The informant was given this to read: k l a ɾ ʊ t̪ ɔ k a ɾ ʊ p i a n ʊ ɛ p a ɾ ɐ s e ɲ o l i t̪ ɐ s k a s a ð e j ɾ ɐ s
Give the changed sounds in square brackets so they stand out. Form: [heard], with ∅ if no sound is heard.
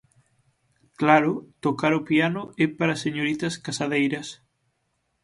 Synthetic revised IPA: k l a ɾ ʊ t̪ [o] k a ɾ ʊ p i a n ʊ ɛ p a ɾ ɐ s e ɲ o [ɾ] i t̪ ɐ s k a s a ð e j ɾ ɐ s